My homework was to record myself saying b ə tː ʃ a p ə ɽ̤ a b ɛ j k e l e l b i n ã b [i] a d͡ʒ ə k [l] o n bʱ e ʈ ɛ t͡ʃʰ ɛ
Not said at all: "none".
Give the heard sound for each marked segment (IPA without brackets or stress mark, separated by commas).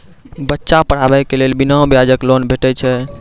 j, l